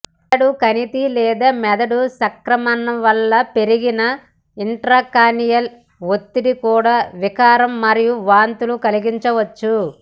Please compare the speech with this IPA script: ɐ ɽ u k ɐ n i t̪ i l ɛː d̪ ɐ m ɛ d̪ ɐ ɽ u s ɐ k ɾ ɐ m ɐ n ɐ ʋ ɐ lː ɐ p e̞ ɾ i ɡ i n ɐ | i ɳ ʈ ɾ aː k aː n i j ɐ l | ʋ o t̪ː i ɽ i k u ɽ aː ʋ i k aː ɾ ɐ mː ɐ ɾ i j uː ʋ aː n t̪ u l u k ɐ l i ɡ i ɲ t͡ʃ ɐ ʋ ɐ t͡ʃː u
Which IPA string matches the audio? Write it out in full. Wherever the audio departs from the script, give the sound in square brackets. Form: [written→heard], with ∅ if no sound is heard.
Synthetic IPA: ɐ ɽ u k ɐ n i t̪ i l ɛː d̪ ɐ m ɛ d̪ ɐ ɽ u s ɐ k ɾ ɐ m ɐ n ɐ ʋ ɐ lː ɐ p e̞ ɾ i ɡ i n ɐ | i ɳ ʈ ɾ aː k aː n i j ɐ l | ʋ o t̪ː i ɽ i k [u→uː] ɽ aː ʋ i k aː ɾ ɐ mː ɐ ɾ i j [uː→u] ʋ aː n t̪ u l u k ɐ l i ɡ i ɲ t͡ʃ ɐ ʋ ɐ t͡ʃː u